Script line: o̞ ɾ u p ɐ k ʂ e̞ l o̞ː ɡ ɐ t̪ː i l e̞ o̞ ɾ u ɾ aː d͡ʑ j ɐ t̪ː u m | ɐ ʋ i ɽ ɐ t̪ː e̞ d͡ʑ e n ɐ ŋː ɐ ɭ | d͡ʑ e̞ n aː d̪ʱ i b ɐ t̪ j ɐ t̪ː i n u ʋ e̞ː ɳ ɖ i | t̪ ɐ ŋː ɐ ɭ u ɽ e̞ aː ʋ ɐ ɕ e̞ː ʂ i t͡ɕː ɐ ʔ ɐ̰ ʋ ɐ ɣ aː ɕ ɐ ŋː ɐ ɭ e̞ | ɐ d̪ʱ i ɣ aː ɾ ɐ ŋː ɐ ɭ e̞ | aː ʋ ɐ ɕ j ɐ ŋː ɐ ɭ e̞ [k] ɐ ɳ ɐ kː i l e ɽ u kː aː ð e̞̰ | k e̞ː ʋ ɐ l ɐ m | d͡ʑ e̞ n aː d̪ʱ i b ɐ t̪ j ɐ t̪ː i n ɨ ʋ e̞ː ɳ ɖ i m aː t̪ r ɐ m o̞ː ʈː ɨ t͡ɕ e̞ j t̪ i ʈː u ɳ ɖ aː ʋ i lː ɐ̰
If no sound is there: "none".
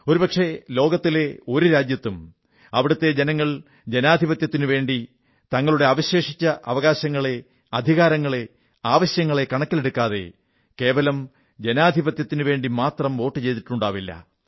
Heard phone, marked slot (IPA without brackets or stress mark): k